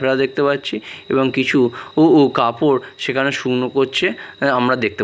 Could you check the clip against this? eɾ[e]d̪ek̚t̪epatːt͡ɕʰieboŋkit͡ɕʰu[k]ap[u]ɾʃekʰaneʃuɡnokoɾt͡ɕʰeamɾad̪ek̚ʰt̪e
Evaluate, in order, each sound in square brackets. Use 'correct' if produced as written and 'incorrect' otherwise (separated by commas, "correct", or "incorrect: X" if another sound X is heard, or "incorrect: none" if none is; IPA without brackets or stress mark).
incorrect: a, correct, incorrect: o